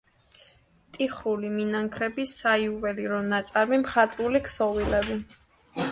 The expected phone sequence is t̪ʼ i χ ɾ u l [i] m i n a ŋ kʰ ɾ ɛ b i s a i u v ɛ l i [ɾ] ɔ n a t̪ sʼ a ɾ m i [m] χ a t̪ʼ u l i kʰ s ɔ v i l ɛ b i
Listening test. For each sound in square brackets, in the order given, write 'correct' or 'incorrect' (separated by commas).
correct, correct, correct